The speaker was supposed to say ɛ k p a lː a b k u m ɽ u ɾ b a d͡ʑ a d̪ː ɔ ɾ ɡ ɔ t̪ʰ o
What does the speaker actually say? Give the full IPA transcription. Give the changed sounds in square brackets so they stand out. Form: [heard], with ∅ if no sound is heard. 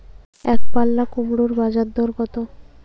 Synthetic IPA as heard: ɛ k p a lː a [∅] k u m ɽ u ɾ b a d͡ʑ a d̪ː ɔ ɾ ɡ ɔ [t̪] o